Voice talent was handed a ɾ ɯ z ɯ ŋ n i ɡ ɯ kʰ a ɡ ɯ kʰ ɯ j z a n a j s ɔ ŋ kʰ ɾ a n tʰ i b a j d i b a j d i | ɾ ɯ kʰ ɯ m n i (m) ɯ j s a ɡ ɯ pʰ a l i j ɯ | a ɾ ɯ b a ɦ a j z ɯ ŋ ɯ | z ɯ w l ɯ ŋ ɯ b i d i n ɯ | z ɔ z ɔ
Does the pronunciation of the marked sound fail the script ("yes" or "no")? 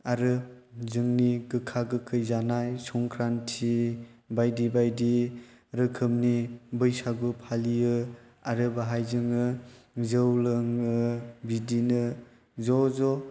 yes